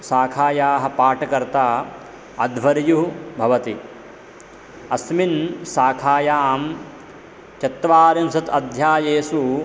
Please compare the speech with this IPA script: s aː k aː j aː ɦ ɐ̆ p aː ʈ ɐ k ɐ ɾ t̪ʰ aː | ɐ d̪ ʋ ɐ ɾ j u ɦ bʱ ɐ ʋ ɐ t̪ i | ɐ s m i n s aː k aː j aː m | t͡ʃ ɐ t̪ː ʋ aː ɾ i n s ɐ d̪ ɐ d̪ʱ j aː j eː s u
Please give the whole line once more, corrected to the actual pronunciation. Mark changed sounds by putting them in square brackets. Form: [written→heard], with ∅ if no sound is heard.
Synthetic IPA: s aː [k→kʰ] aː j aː ɦ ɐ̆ p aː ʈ ɐ k ɐ ɾ [t̪ʰ→t̪] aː | ɐ d̪ ʋ ɐ ɾ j u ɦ bʱ ɐ ʋ ɐ t̪ i | ɐ s m i n s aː [k→kʰ] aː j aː m | t͡ʃ ɐ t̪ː ʋ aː ɾ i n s ɐ [d̪→t̪] ɐ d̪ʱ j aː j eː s u